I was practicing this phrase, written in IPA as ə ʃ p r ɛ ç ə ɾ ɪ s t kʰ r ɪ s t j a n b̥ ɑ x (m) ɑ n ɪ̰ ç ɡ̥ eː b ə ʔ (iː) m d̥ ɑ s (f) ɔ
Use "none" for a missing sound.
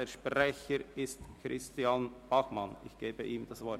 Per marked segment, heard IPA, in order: m, iː, v

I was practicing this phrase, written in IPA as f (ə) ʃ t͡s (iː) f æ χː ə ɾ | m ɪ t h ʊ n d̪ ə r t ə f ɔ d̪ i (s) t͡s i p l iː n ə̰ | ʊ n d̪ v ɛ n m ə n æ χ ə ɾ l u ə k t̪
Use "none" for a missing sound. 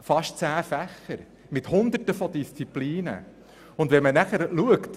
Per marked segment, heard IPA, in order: ɑ, æː, s

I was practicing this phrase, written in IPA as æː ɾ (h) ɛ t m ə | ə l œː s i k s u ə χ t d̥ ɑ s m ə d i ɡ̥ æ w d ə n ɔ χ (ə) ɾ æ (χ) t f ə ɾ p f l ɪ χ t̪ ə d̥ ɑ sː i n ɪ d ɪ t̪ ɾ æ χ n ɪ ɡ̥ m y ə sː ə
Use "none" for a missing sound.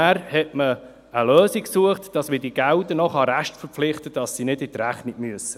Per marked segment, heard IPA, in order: h, ɑ, ʃ

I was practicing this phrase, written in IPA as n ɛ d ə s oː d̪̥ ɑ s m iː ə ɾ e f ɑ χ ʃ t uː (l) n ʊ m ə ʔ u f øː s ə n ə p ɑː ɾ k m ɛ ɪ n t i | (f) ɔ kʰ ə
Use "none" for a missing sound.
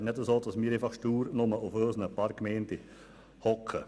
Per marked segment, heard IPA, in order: ɾ, h

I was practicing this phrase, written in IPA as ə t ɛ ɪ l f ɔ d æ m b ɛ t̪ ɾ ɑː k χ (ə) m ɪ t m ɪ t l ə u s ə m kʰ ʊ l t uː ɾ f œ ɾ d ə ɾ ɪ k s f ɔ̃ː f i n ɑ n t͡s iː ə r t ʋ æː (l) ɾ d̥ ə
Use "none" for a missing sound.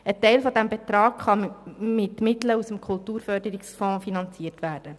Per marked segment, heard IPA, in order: ɑ, none

